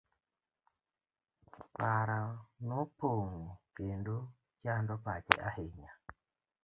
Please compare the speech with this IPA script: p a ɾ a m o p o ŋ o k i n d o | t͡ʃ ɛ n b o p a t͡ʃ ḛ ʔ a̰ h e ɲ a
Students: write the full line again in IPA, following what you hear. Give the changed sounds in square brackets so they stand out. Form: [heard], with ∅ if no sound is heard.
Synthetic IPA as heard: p a ɾ a [n] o p o ŋ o k [e] n d o | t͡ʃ [a] n [d] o p a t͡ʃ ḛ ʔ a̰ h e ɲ a